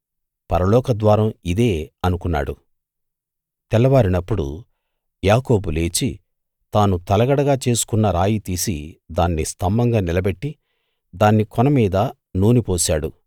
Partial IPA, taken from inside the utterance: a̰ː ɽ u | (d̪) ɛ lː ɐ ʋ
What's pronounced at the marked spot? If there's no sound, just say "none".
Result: t̪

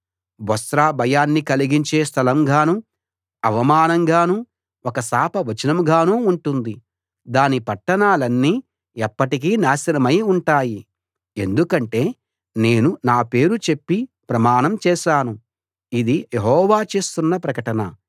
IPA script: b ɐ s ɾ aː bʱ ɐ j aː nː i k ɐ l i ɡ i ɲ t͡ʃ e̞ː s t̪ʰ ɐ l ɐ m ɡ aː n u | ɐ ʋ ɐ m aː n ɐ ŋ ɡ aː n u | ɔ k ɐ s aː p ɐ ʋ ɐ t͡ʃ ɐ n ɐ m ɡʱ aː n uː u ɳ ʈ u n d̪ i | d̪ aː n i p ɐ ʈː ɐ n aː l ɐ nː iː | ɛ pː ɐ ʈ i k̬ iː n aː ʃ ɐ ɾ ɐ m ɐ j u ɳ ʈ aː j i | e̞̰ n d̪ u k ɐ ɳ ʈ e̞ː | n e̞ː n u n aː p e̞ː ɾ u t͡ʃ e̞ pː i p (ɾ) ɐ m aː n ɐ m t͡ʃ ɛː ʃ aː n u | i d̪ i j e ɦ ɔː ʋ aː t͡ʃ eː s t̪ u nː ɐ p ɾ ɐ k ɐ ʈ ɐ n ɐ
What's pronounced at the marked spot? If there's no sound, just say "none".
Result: ɾ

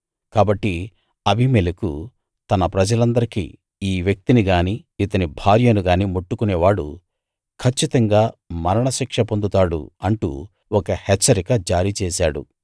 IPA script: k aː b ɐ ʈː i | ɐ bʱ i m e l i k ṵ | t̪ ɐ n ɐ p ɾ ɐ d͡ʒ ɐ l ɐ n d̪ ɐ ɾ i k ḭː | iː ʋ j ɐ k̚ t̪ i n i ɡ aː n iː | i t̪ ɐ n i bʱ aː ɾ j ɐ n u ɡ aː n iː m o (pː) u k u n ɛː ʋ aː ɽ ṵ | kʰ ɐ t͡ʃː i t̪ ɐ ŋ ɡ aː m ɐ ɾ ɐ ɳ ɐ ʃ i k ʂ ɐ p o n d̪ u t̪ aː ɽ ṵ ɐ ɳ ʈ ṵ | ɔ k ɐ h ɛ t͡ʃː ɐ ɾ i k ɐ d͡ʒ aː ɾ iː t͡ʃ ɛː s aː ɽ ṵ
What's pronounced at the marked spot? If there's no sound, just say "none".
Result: ʈː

